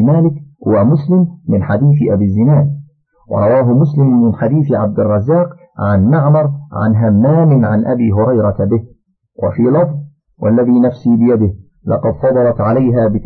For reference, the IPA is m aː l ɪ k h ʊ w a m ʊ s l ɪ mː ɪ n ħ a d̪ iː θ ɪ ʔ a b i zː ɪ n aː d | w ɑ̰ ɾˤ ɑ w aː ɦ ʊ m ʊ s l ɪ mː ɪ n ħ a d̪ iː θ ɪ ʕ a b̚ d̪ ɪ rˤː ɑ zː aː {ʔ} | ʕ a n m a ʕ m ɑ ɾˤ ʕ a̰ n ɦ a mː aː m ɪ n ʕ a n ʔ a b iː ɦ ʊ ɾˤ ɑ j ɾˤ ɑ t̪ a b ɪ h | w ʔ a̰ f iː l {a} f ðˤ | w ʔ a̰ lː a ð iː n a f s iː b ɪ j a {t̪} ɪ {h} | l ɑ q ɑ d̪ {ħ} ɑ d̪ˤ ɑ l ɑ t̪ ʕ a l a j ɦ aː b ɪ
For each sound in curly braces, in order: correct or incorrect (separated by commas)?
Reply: incorrect, incorrect, incorrect, correct, incorrect